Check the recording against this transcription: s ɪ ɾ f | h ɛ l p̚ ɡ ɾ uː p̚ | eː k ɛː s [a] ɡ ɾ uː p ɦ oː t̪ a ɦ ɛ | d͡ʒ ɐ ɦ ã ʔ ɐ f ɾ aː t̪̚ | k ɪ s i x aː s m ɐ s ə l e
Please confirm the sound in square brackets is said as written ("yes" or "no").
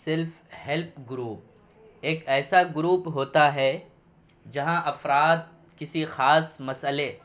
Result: yes